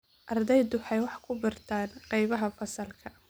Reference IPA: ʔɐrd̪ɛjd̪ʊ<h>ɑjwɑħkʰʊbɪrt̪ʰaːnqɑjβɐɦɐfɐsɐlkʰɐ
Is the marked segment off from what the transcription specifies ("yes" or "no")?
yes